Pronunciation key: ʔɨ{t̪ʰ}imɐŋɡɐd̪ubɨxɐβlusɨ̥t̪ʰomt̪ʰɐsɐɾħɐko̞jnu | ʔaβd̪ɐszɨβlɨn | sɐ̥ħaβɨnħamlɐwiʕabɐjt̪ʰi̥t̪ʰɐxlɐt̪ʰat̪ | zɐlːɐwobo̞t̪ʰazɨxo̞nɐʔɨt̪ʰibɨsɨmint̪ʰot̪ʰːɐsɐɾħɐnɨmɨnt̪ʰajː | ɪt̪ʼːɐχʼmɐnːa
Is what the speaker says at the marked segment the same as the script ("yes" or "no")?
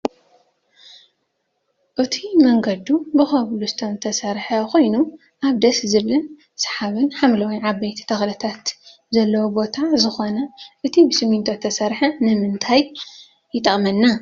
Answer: yes